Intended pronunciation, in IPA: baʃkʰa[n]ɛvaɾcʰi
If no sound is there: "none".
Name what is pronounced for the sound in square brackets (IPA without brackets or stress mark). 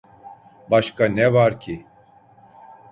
n